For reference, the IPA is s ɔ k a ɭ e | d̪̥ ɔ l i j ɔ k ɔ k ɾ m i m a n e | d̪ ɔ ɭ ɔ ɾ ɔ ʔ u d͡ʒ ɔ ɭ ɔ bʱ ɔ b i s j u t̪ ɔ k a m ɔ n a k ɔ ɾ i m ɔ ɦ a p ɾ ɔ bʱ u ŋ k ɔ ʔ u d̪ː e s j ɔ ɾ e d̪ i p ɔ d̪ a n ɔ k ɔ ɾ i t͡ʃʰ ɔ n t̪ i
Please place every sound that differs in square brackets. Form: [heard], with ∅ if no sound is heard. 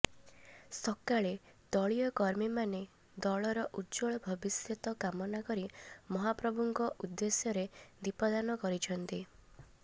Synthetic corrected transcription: s ɔ k a ɭ e | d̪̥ ɔ [ɭ] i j ɔ k ɔ [∅] ɾ m i m a n e | d̪ ɔ ɭ ɔ ɾ ɔ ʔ u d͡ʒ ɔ ɭ ɔ bʱ ɔ b i s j [ɔ] t̪ ɔ k a m ɔ n a k ɔ ɾ i m ɔ ɦ a p ɾ ɔ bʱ u ŋ k ɔ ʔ u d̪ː e s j ɔ ɾ e d̪ i p ɔ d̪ a n ɔ k ɔ ɾ i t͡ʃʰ ɔ n t̪ i